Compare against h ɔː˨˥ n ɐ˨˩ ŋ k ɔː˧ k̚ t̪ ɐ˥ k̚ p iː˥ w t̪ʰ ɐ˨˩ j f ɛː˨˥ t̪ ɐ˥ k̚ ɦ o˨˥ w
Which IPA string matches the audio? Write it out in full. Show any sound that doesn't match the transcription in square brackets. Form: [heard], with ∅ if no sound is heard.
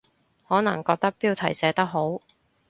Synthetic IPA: h ɔː˨˥ n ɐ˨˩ ŋ k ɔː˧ k̚ t̪ ɐ˥ k̚ p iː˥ w t̪ʰ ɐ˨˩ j [s] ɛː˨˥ t̪ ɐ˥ k̚ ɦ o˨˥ w